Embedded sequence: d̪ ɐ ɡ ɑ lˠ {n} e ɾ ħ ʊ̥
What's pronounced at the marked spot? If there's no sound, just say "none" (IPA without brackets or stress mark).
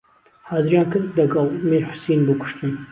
m